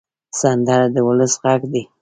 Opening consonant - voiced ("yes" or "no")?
no